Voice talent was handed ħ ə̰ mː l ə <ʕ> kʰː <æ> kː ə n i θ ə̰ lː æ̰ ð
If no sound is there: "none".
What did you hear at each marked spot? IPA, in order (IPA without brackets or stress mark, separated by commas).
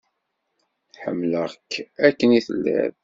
ʁ, æ